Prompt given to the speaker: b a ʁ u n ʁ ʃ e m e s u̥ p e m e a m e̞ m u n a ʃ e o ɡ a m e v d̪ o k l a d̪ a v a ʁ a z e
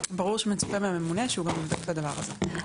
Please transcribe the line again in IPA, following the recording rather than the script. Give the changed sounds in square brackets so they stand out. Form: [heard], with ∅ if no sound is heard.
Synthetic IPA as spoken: b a ʁ u [∅] ʁ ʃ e m e [t͡s] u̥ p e m e a m e̞ m u n [e] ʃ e [u] ɡ a m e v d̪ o k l a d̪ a v a ʁ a z e

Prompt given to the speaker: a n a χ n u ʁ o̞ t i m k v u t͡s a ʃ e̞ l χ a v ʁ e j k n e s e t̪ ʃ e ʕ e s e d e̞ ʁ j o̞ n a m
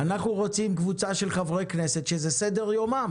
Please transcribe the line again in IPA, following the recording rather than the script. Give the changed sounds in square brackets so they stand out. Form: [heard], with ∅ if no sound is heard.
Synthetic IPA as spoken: a n a χ n u ʁ o̞ [t͡s] i m k v u t͡s a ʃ e̞ l χ a v ʁ e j k n e s e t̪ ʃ e [z] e s e d e̞ ʁ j o̞ [m] a m

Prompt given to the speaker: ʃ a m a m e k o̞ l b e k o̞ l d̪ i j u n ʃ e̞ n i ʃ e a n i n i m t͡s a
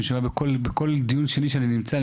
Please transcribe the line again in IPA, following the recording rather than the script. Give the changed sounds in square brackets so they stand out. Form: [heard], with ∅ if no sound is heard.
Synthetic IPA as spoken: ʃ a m a [b] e k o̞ l b e k o̞ l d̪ i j u n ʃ e̞ n i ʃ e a n i n i m t͡s a

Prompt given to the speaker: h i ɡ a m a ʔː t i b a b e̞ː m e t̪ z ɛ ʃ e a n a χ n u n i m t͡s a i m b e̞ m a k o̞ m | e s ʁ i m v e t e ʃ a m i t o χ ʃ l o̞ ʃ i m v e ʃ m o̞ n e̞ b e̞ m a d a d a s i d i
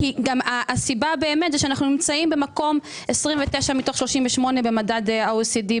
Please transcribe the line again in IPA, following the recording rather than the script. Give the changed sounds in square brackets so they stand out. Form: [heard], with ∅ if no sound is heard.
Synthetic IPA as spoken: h i ɡ a m a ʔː [s] i b a b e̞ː m e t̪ z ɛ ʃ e a n a χ n u n i m t͡s a i m b e̞ m a k o̞ m | e s ʁ i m v e t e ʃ a m i t o χ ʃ l o̞ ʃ i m v e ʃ m o̞ n e̞ b e̞ m a d a d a s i d i

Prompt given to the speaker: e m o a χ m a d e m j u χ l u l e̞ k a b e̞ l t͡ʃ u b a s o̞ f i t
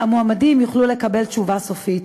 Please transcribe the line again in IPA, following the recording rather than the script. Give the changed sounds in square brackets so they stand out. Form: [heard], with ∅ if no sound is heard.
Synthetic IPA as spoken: [a] m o a [∅] m a d [i] m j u χ l u l e̞ k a b e̞ l t͡ʃ u [v] a s o̞ f i t

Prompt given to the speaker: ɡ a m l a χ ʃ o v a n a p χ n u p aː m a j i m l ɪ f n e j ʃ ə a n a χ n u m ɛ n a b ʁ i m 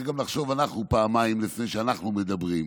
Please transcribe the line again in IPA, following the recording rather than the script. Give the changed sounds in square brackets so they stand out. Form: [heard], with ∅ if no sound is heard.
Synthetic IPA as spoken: ɡ a m l a χ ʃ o v a n a [∅] χ n u p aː m a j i m l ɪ f n e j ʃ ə a n a χ n u m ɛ [d] a b ʁ i m

